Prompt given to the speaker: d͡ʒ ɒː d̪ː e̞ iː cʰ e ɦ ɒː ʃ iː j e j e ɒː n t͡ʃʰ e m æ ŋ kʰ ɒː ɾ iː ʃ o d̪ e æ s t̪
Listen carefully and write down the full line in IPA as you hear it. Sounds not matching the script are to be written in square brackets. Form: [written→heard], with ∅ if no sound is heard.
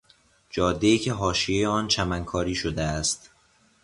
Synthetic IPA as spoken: d͡ʒ ɒː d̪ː e̞ iː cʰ e ɦ ɒː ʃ [iː→i] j e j e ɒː n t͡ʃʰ [e→æ] m æ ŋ kʰ ɒː ɾ iː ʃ o d̪ e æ s t̪